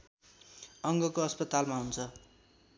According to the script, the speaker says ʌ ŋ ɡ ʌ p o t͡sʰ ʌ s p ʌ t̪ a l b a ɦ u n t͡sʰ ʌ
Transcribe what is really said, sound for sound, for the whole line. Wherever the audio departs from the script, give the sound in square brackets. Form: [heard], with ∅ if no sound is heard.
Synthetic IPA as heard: ʌ ŋ ɡ ʌ [k] o [∅] ʌ s p ʌ t̪ a l [m] a ɦ u n t͡sʰ ʌ